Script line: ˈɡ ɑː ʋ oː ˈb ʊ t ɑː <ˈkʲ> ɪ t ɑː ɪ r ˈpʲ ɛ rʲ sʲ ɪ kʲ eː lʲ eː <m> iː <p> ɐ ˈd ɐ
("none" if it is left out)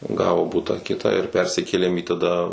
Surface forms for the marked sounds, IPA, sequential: kʲ, m, t

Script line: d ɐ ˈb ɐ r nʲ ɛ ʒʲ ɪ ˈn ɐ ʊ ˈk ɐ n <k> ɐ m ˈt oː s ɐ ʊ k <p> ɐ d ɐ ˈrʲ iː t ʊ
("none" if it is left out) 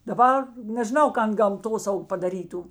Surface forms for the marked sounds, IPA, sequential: ɡ, p

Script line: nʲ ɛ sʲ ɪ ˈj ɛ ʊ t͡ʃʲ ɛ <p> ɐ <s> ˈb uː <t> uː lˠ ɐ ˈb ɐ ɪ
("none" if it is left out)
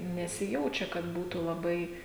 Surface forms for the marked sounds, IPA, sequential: k, t, t

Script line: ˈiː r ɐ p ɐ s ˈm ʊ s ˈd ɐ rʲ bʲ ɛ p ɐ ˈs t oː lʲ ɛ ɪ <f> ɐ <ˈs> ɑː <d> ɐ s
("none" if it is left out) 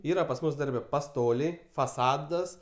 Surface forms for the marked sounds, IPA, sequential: f, s, d

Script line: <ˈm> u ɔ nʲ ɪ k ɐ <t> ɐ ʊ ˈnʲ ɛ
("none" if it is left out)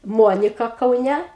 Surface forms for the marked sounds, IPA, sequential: m, k

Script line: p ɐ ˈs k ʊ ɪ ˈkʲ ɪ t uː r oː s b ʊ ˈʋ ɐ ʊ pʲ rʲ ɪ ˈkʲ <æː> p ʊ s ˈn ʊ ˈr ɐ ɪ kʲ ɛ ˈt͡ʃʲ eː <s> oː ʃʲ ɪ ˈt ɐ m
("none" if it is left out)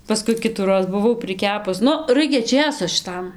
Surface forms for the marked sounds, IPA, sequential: æː, s

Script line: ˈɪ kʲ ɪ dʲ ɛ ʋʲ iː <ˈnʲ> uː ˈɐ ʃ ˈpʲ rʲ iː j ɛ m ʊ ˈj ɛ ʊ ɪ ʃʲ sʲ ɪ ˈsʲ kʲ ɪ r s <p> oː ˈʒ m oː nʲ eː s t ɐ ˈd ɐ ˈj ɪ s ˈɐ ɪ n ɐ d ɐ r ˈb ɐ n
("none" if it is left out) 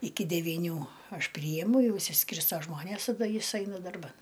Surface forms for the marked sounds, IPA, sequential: nʲ, t

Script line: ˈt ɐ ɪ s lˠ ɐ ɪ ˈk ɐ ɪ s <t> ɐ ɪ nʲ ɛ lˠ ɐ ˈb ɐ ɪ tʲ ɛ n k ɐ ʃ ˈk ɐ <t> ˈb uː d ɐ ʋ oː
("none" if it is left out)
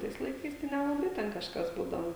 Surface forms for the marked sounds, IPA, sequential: t, s

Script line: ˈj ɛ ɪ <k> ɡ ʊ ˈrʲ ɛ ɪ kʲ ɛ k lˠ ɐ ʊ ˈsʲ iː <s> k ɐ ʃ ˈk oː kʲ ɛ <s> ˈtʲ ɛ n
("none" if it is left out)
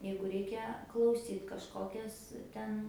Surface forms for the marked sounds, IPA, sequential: none, t, s

